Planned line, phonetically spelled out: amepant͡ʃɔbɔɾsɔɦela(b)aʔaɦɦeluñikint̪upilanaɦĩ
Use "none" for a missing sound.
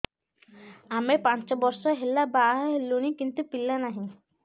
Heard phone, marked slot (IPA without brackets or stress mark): b